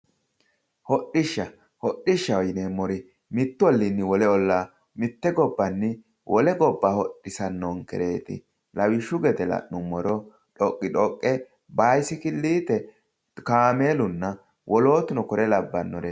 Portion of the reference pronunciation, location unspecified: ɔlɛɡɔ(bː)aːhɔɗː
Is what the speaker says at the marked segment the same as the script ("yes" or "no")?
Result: yes